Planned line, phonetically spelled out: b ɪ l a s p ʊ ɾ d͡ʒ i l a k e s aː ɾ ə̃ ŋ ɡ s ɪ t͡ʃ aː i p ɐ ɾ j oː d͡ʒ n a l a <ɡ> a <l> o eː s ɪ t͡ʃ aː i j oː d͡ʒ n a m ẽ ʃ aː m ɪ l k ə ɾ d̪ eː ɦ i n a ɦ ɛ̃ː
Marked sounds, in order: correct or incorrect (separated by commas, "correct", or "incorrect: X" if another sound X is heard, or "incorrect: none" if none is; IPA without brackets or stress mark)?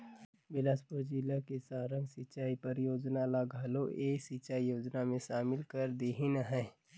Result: correct, correct